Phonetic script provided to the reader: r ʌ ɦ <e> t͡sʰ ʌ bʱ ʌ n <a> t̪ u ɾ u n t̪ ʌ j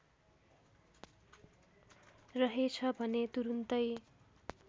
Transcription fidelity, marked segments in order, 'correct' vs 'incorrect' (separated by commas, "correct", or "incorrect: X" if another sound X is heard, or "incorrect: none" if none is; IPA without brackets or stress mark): correct, incorrect: e